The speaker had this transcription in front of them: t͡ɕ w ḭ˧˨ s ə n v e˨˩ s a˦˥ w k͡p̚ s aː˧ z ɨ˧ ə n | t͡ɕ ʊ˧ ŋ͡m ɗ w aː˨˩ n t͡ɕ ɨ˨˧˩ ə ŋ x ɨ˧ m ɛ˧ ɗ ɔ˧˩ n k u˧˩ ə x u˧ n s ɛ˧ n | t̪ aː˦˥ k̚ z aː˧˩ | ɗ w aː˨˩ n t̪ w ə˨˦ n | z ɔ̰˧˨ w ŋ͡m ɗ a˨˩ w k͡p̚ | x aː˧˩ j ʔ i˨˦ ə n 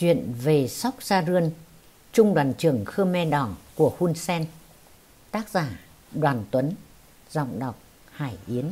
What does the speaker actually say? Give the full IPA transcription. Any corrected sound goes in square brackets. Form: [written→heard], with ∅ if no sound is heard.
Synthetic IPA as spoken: t͡ɕ w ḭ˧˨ [s→∅] ə n v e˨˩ s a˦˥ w k͡p̚ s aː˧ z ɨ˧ ə n | t͡ɕ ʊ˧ ŋ͡m ɗ w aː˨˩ n t͡ɕ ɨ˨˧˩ ə ŋ x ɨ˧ m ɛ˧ ɗ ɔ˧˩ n k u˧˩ ə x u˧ n s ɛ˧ n | t̪ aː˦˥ k̚ z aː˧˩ | ɗ w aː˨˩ n t̪ w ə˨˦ n | z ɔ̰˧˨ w ŋ͡m ɗ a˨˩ w k͡p̚ | [x→h] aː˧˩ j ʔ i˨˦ ə n

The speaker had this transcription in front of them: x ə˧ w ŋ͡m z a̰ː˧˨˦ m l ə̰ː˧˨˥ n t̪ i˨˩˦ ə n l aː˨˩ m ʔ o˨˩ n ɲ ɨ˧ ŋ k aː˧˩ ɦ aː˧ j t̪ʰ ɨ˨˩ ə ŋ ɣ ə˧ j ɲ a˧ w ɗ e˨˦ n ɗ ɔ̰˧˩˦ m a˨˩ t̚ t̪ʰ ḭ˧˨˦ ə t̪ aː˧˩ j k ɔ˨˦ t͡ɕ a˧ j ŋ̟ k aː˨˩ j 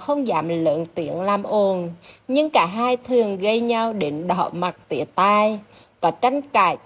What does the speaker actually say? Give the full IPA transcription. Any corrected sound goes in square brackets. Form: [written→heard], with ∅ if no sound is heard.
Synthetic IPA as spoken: x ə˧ w ŋ͡m z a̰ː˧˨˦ m l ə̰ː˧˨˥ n t̪ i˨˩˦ ə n l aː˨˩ m ʔ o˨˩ n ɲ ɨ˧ ŋ k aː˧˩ ɦ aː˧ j t̪ʰ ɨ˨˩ ə ŋ ɣ ə˧ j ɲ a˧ w ɗ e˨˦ n ɗ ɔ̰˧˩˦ m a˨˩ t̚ [t̪ʰ→t̪] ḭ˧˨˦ ə t̪ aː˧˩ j k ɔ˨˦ t͡ɕ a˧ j ŋ̟ k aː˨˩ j

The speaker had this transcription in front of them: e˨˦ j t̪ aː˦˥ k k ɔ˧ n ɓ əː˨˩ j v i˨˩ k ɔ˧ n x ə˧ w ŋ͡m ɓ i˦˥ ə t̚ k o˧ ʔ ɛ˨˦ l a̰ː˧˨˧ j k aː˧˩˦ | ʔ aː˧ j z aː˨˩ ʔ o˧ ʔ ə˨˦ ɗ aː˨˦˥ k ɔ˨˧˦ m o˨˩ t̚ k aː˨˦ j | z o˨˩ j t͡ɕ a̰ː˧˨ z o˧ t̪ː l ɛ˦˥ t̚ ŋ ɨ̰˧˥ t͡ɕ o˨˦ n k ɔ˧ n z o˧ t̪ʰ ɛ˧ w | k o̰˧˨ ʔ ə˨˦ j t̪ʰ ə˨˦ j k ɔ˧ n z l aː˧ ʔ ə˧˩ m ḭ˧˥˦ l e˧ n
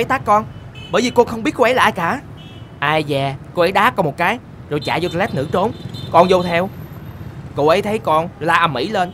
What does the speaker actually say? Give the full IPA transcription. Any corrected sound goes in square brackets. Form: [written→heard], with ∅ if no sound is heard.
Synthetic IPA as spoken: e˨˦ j t̪ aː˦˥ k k ɔ˧ n ɓ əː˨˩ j v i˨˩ k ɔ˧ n x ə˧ w ŋ͡m ɓ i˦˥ ə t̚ k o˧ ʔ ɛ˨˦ l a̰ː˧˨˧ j k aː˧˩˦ | ʔ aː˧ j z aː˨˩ [ʔ→k] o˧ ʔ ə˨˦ ɗ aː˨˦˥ k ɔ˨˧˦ m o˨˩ t̚ k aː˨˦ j | z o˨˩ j t͡ɕ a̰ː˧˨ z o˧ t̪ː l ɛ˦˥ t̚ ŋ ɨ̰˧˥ t͡ɕ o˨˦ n k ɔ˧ n z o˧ t̪ʰ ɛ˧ w | k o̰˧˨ ʔ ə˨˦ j t̪ʰ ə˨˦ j k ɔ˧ n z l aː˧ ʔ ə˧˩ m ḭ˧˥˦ l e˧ n

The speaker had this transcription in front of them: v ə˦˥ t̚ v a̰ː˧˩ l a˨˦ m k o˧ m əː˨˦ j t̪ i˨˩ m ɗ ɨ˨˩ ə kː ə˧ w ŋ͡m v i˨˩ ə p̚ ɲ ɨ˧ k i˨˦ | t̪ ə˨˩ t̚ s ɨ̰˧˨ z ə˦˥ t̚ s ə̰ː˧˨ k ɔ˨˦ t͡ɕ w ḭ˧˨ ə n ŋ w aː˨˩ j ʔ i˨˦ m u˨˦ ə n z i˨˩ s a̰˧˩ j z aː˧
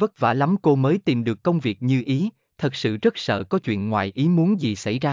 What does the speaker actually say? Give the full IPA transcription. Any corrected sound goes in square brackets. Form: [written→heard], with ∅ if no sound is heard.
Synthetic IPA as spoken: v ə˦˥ t̚ v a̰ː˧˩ l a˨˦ m k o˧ m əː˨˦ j t̪ i˨˩ m ɗ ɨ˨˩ ə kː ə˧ w ŋ͡m v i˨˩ ə [p̚→k̚] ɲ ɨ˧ [k→ʔ] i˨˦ | [t̪→t̪ʰ] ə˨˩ t̚ s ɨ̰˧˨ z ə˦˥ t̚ s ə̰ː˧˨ k ɔ˨˦ t͡ɕ w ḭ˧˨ ə n ŋ w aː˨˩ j ʔ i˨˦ m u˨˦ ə n z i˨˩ s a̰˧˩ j z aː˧

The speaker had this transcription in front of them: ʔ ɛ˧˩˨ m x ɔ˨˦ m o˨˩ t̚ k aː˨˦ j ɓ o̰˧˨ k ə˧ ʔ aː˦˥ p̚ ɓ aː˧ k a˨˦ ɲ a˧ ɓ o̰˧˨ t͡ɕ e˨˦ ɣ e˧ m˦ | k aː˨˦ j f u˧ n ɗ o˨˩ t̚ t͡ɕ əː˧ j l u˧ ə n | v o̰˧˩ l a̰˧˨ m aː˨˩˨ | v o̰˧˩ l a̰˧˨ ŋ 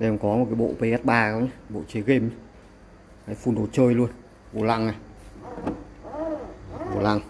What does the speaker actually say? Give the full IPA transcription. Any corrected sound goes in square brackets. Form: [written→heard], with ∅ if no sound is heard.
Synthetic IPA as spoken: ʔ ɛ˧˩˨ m [x→k] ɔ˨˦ m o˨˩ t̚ k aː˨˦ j ɓ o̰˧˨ [k→p] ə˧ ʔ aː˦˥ [p̚→t̚] ɓ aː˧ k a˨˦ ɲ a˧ ɓ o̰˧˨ t͡ɕ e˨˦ ɣ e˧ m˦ | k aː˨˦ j f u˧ n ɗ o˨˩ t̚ t͡ɕ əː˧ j l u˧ ə n | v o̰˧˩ l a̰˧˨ [m→ŋ] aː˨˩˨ | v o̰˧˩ l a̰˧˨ ŋ

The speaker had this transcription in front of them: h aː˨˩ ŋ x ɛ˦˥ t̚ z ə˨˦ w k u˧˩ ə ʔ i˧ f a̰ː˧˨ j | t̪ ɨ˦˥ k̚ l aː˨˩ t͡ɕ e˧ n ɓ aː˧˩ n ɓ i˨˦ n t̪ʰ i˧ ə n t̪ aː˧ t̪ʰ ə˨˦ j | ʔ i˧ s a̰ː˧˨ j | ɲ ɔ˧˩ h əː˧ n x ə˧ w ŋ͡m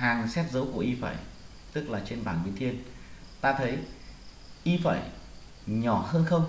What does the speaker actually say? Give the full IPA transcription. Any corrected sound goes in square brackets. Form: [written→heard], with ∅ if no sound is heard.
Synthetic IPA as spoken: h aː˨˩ ŋ [x→s] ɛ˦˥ t̚ z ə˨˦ w k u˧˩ ə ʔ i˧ f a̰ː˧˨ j | t̪ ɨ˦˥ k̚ l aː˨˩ t͡ɕ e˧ n ɓ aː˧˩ n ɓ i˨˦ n t̪ʰ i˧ ə n t̪ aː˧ t̪ʰ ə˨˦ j | ʔ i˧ [s→f] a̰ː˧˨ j | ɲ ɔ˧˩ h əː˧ n x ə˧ w ŋ͡m

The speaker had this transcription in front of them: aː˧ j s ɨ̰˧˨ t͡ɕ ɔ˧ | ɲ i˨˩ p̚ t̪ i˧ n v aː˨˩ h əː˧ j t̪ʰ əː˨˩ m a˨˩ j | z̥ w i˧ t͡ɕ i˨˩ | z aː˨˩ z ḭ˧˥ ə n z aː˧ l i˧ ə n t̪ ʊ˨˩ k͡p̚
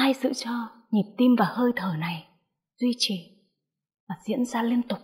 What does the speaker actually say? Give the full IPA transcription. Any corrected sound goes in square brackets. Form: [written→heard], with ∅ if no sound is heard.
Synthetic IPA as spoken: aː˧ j s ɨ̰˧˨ t͡ɕ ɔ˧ | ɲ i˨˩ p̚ t̪ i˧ [n→m] v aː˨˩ h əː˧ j t̪ʰ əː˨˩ [m→n] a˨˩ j | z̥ w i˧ t͡ɕ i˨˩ | [z→v] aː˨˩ z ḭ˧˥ ə n z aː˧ l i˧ ə n t̪ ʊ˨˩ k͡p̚

